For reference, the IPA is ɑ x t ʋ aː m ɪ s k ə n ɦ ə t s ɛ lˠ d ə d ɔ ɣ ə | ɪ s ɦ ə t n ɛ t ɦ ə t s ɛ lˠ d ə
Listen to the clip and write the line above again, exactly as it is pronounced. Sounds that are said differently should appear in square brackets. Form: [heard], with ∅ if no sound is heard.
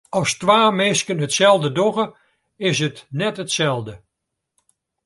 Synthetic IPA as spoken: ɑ [s] t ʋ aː m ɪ s k ə n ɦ ə t s ɛ lˠ d ə d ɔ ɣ ə | ɪ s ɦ ə t n ɛ t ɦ ə t s ɛ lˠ d ə

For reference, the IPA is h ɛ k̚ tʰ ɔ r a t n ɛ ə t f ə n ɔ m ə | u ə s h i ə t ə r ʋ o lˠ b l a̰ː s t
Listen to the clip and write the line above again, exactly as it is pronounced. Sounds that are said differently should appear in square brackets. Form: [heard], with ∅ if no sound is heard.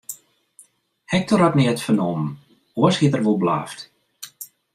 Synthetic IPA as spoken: h ɛ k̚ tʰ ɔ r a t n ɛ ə t f ə n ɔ m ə | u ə s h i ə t ə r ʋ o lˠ b l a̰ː [f] t

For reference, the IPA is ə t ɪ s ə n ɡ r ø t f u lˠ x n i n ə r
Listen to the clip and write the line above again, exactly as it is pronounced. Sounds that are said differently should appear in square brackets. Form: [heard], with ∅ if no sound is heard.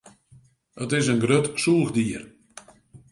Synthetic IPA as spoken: ə t ɪ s ə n ɡ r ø t [s] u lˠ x [d] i [∅] ə r

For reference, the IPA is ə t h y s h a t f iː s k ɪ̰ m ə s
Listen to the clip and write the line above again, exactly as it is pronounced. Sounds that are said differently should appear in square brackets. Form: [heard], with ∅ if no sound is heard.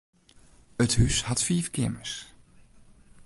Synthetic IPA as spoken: ə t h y s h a t f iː [f] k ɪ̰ m ə s

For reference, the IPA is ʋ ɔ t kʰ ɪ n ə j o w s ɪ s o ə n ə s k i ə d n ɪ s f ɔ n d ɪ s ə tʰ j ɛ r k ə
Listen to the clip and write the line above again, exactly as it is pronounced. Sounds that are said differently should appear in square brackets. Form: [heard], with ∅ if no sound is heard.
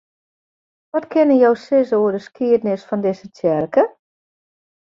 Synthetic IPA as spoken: ʋ ɔ t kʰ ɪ n ə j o w s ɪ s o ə [d] ə s k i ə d n ɪ s f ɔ n d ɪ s ə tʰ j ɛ r k ə

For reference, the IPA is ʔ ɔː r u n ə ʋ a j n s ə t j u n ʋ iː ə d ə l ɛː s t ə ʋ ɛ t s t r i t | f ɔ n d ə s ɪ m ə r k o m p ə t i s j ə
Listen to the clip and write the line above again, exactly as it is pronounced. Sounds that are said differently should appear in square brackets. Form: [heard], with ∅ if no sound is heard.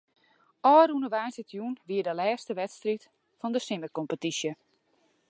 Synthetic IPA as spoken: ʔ ɔː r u n ə ʋ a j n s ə t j u n ʋ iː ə d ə l ɛː s t ə ʋ ɛ t s t r i t | f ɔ n d ə s ɪ m ə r k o m p ə t i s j ə

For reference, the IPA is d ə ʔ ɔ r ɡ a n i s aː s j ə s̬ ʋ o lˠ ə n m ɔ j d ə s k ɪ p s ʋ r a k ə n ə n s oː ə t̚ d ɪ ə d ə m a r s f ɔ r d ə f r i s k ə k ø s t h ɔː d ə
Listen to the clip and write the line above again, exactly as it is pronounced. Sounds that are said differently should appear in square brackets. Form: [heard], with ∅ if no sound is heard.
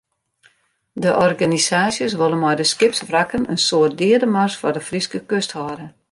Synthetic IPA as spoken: d ə ʔ ɔ r ɡ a n i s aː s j ə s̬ ʋ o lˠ ə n m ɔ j d ə s k ɪ p s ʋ r a k ə n ə n s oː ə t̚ d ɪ ə d ə m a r s f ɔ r d ə f r i s k ə k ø s t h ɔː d ə

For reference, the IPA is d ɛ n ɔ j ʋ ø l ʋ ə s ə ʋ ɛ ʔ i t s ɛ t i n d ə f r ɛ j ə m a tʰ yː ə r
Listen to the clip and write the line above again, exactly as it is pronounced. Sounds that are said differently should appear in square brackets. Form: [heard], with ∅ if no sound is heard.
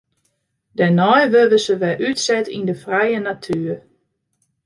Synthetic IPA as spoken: d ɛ n ɔ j ʋ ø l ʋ ə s ə ʋ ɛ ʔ [y] t s ɛ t i n d ə f r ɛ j ə [n] a tʰ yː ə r

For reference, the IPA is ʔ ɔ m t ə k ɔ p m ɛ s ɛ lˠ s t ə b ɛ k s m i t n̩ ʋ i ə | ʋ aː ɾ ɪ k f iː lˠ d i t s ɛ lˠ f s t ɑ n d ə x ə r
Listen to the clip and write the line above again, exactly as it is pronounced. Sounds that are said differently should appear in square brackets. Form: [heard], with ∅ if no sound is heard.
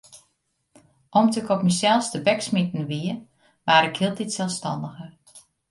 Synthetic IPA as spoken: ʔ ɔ m t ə k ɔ p m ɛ s ɛ lˠ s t ə b ɛ k s m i t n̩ ʋ i ə | ʋ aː ɾ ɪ k [h] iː lˠ [t] i t s ɛ lˠ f s t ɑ n d ə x ə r

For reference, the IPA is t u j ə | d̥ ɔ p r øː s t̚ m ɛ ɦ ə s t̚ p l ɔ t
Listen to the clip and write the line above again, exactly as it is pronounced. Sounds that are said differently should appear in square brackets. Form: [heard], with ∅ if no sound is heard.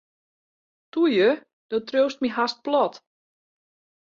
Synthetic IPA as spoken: t u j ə | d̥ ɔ [t] r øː s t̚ m [i] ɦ [a] s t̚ p l ɔ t

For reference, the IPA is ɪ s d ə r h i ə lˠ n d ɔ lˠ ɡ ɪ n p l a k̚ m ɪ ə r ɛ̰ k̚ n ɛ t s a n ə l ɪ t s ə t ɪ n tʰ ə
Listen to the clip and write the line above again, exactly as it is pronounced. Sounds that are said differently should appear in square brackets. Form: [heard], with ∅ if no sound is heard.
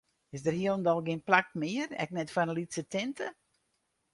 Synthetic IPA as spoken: ɪ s d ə r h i ə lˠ n d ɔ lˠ ɡ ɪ n p l a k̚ m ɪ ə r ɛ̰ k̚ n ɛ t [f] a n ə l [i] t s ə t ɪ n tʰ ə

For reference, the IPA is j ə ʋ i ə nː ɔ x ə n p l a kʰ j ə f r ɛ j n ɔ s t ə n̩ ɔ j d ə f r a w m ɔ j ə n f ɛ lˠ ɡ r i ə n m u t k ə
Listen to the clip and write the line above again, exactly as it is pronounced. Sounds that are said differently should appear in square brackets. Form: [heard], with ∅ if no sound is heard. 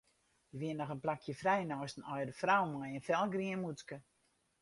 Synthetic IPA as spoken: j ə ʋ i ə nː ɔ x ə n p l a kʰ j ə f r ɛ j n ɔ s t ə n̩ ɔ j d ə f r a w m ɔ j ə n f ɛ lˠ ɡ r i ə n m u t k ə

